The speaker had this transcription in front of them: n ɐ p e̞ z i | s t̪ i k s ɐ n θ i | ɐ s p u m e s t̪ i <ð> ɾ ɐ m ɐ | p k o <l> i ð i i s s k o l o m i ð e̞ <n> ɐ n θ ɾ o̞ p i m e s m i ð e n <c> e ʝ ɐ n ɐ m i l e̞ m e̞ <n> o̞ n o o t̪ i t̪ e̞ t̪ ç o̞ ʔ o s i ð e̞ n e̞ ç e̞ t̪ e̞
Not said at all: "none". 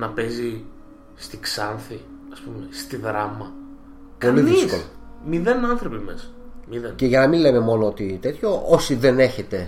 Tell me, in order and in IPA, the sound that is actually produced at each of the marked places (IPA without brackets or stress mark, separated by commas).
ð, l, n, c, m